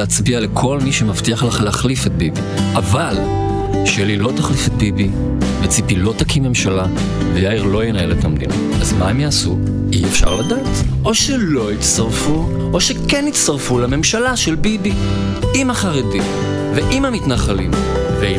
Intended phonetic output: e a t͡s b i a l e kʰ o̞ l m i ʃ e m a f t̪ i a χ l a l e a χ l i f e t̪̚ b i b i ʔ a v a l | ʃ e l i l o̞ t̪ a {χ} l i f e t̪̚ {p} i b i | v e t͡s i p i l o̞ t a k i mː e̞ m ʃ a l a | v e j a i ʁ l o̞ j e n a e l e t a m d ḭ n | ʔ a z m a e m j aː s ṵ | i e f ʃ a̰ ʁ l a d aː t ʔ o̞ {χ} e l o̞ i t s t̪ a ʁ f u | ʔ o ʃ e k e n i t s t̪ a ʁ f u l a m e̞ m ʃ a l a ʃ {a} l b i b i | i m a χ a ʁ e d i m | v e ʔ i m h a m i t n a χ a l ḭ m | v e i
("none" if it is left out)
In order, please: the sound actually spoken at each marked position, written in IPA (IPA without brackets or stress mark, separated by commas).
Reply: χ, b, ʃ, e